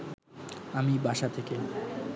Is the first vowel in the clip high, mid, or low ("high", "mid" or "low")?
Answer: low